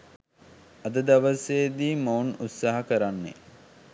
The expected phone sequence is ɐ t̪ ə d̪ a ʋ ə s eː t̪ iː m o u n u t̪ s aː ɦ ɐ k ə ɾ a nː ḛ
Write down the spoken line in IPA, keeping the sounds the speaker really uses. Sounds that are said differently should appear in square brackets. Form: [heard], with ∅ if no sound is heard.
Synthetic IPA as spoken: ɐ [d̪] ə d̪ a ʋ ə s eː [d̪] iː m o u n u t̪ s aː ɦ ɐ k ə ɾ a nː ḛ